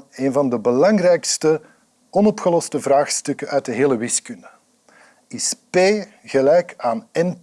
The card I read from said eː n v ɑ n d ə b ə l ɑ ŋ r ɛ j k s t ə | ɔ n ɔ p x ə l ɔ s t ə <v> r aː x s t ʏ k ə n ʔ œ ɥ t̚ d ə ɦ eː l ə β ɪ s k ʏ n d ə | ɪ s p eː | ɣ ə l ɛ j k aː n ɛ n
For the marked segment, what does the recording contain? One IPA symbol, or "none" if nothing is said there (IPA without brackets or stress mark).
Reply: v